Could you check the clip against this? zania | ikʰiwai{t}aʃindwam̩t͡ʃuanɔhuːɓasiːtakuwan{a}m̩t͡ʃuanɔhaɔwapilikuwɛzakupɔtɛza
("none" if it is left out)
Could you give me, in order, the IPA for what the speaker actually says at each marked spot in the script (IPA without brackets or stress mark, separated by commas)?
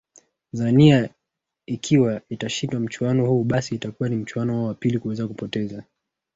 t, i